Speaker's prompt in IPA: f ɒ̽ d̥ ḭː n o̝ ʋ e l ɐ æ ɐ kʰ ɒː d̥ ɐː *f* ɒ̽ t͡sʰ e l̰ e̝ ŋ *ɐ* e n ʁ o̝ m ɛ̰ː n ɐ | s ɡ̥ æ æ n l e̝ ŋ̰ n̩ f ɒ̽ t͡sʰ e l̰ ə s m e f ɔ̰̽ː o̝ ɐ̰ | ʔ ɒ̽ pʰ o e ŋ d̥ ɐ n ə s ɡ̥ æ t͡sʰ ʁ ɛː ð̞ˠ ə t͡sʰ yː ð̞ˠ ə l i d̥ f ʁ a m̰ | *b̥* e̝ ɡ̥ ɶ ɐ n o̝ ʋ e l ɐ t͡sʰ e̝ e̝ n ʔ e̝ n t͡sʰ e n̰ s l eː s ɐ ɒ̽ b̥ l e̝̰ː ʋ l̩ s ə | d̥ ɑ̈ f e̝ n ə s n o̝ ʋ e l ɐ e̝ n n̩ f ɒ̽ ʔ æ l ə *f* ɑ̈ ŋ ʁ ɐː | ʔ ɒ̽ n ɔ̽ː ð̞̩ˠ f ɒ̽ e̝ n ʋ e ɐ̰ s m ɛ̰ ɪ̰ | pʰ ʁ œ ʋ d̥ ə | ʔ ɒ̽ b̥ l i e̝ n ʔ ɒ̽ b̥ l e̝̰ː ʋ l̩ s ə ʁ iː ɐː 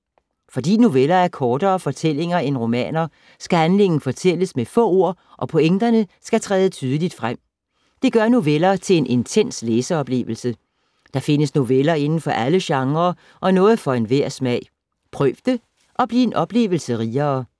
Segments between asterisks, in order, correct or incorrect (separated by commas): correct, correct, incorrect, incorrect